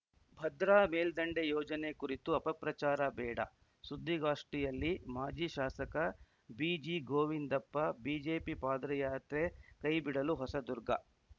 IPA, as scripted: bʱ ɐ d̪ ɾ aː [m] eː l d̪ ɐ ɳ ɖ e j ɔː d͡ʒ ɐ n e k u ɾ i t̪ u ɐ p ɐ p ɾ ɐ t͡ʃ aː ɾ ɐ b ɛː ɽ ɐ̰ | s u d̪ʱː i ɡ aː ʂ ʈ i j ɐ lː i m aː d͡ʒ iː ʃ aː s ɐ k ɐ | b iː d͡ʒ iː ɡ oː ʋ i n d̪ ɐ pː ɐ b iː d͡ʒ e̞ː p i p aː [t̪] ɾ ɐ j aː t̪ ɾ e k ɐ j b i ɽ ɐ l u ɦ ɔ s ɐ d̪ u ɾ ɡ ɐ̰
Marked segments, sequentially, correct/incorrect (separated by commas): correct, incorrect